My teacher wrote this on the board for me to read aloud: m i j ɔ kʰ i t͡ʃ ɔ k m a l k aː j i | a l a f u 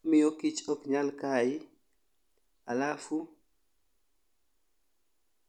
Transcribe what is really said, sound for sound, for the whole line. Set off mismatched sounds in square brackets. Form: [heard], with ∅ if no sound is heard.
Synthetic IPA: m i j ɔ [k] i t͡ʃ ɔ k [ɲ] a l k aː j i | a l a f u